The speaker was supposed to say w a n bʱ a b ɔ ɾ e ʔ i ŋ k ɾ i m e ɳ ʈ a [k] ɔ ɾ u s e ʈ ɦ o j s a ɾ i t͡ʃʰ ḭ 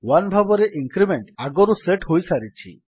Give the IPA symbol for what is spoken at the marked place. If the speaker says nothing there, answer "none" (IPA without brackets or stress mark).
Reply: ɡ